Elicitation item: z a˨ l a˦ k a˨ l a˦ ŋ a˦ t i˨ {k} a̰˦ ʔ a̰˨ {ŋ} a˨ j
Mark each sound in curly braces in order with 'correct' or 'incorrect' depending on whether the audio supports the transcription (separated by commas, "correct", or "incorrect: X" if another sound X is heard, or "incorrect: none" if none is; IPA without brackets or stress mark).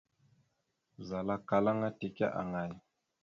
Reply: correct, correct